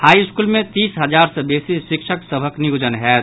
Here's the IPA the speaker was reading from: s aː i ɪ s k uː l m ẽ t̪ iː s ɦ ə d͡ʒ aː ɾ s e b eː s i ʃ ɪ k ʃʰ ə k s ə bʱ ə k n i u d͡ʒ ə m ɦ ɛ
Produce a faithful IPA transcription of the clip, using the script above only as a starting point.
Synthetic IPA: h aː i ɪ s k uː l m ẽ t̪ iː s ɦ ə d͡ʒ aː ɾ s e b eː s i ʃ ɪ k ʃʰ ə k s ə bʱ ə k n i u d͡ʒ ə n ɦ ɛ